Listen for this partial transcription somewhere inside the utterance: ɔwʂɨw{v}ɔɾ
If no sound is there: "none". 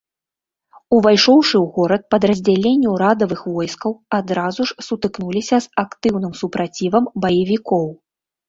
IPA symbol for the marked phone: ɣ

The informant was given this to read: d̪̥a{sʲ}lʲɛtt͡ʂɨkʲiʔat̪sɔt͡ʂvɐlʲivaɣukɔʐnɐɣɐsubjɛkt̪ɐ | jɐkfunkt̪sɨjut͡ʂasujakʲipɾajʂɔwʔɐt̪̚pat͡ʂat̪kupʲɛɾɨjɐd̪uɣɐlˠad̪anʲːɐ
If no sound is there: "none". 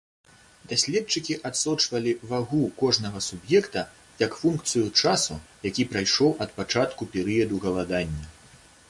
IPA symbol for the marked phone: sʲ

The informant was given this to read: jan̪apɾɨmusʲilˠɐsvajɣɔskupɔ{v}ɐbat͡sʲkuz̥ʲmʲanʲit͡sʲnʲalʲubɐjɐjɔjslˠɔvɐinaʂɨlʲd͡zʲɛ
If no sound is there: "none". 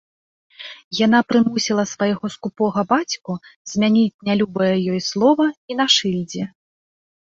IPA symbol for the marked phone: ɣ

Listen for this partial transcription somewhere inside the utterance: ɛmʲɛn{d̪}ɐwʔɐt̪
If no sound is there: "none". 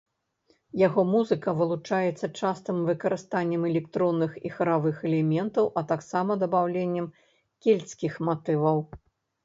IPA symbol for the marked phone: t̪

